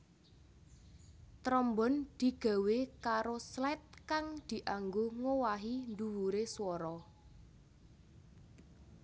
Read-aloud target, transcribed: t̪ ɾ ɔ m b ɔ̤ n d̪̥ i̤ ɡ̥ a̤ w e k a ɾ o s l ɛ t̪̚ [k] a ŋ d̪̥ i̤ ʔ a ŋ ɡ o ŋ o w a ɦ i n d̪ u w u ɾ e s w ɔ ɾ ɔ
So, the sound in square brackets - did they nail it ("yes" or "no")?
yes